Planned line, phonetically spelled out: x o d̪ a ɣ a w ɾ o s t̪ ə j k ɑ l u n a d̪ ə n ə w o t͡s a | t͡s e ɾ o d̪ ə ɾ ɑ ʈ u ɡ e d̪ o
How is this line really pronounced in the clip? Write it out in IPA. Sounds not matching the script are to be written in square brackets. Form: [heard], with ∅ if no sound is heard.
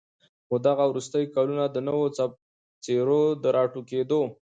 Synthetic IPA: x o d̪ a ɣ a w ɾ [u] s t̪ ə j k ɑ l u n a d̪ ə n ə w o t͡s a | t͡s e ɾ o d̪ ə ɾ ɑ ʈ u [k] e d̪ o